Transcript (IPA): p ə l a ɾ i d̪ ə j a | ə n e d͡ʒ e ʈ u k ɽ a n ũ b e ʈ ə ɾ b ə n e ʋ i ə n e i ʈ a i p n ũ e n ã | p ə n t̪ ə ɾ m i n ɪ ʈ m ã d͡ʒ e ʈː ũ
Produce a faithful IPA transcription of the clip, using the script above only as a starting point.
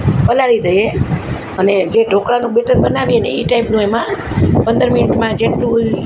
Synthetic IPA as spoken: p ə l a ɾ i d̪ ə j e | ə n e d͡ʒ e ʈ o k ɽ a n ũ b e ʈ ə ɾ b ə n a ʋ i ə n e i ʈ a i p n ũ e m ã | p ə n d̪ ə ɾ m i n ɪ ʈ m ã d͡ʒ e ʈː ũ

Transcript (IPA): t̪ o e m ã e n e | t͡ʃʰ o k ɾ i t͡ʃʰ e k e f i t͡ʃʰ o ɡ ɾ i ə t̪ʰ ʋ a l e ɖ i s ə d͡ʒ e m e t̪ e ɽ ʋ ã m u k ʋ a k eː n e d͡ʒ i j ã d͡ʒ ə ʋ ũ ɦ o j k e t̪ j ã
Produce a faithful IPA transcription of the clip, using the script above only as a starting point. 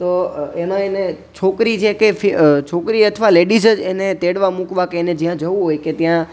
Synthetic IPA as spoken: t̪ o e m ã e n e | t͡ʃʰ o k ɾ i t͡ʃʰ e k e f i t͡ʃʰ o k ɾ i ə t̪ʰ ʋ a l e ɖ i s ə d͡ʒ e n e t̪ e ɽ ʋ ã m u k ʋ a k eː n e d͡ʒ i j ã d͡ʒ ə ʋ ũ ɦ o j k e t̪ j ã

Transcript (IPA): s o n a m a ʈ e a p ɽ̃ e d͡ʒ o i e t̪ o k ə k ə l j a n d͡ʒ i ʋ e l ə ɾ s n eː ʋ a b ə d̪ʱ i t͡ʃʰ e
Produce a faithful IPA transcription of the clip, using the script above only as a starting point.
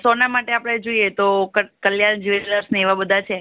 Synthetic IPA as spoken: s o n a m a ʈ e a p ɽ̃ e d͡ʒ o i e t̪ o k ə k ə l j a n d͡ʒ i ʋ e l ə ɾ s n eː ʋ a b ə d̪ʱ a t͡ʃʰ e

